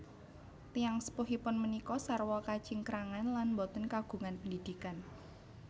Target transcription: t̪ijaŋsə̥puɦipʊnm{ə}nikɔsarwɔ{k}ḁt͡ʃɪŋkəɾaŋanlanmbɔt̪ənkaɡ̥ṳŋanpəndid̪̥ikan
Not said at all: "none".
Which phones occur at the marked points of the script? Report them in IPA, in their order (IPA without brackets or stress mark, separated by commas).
ə, k